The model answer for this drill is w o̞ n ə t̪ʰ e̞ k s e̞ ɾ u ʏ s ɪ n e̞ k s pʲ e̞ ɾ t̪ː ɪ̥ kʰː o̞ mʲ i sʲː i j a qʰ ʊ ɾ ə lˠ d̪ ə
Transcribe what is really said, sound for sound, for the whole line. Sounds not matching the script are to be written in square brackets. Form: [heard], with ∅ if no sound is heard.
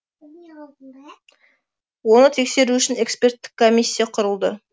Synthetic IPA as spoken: w o̞ n ə t̪ʰ e̞ k s e̞ ɾ u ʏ [ʃ] ɪ n e̞ k s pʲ e̞ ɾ t̪ː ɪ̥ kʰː o̞ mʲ i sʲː i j a qʰ ʊ ɾ ə lˠ d̪ ə